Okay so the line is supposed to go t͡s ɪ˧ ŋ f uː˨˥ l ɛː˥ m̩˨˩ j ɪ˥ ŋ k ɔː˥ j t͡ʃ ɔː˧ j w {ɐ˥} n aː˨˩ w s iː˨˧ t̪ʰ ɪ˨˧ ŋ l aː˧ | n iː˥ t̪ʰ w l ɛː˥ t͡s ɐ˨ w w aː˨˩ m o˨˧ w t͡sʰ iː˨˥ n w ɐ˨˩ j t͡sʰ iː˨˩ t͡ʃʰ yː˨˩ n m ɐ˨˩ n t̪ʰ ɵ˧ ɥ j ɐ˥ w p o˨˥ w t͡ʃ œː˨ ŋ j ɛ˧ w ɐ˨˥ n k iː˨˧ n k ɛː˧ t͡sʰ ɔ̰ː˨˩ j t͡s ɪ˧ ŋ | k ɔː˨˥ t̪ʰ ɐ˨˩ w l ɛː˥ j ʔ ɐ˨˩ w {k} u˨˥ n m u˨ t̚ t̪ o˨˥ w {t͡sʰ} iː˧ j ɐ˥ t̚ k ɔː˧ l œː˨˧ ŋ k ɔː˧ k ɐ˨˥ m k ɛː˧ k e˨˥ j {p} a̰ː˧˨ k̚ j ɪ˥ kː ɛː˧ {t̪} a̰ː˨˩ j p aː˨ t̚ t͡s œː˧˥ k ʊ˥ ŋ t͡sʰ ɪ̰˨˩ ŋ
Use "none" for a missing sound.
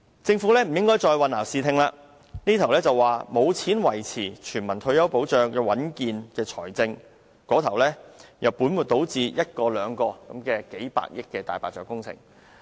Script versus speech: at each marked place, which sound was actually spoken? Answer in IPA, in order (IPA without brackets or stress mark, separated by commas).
ɐ˨, p, t͡s, p, t̪